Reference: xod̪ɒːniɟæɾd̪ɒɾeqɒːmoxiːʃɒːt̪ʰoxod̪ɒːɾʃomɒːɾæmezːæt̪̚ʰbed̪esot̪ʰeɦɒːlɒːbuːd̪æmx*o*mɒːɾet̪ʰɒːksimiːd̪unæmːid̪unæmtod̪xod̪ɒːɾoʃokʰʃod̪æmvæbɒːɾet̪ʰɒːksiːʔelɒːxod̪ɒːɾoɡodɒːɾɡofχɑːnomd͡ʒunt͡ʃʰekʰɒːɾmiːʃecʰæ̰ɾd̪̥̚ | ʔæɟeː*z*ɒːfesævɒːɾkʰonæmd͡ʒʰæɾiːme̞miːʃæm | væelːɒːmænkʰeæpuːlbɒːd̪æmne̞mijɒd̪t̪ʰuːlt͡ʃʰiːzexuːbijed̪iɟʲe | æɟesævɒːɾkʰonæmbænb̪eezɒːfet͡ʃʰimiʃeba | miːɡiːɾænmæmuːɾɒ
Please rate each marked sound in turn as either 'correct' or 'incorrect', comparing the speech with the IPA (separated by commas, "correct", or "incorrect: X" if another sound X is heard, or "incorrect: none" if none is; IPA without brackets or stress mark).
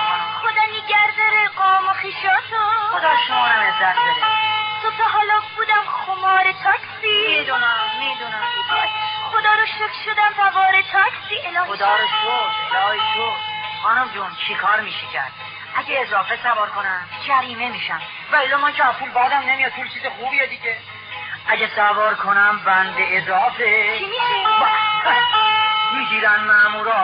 correct, correct